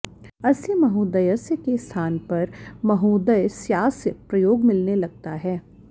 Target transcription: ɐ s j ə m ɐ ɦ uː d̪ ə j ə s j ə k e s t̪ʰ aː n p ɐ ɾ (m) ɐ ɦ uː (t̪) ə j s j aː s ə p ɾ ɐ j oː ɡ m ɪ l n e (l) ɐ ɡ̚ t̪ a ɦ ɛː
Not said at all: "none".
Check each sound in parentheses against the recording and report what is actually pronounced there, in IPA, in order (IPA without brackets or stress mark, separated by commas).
m, d̪, l